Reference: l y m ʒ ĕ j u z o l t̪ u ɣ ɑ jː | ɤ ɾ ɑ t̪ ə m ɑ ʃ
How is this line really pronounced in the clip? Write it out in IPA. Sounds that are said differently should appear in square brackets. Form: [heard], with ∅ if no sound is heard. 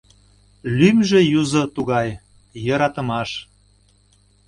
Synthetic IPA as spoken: l y m ʒ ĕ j u z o [∅] t̪ u ɣ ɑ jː | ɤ ɾ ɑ t̪ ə m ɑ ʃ